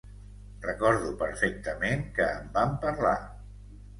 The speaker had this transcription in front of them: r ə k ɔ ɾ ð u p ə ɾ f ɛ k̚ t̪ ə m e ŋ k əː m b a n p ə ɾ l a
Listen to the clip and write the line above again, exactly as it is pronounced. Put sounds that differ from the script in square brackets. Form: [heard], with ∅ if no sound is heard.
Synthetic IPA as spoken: r ə k ɔ ɾ ð u p ə ɾ f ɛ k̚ t̪ ə m e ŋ k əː m b a [m] p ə ɾ l a